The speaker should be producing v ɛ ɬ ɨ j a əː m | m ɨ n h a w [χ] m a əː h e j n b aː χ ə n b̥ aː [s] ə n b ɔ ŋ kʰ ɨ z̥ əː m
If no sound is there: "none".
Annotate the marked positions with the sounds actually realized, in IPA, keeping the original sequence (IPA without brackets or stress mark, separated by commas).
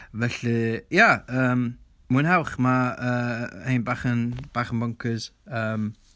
χ, χ